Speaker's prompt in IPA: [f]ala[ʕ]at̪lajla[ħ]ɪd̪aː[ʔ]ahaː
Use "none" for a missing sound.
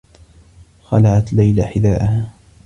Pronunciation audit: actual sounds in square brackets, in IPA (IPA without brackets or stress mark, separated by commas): x, ʕ, ħ, ʔ